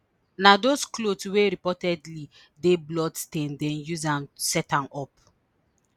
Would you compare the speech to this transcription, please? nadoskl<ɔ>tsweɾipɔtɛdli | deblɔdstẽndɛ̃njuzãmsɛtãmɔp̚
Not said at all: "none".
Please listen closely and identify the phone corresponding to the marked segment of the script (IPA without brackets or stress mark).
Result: o